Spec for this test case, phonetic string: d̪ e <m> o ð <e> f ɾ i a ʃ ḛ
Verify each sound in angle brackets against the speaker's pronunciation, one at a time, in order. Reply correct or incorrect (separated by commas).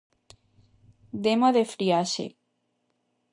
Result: correct, correct